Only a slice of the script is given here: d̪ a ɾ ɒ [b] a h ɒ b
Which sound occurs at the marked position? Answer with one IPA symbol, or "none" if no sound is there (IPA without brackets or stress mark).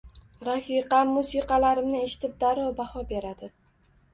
b